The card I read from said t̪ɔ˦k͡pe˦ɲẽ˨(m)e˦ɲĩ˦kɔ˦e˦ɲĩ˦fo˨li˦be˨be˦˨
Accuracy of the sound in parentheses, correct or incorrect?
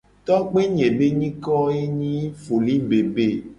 incorrect